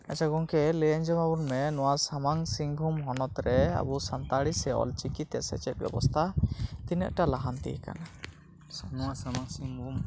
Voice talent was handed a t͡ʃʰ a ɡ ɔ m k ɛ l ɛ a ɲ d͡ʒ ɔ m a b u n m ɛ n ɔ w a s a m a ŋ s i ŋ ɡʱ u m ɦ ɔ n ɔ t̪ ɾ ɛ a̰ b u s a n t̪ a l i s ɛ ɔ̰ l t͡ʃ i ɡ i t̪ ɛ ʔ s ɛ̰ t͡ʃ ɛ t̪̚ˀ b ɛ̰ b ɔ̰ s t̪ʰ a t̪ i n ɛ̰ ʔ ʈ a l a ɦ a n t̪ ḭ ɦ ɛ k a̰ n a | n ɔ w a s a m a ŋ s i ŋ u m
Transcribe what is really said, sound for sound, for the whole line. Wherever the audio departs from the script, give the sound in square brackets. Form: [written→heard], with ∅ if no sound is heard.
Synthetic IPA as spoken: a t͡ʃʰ a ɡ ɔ [m→ŋ] k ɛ l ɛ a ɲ d͡ʒ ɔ m a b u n m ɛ n ɔ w a s a m a ŋ s i ŋ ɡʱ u m ɦ ɔ n ɔ t̪ ɾ ɛ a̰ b u s a n t̪ a [l→ɽ] i s ɛ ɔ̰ l t͡ʃ i [ɡ→k] i t̪ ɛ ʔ s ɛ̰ t͡ʃ ɛ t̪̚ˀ b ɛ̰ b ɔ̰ s t̪ʰ a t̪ i n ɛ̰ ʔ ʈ a l a ɦ a n t̪ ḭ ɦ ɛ k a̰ n a | n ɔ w a s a m a ŋ s i ŋ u m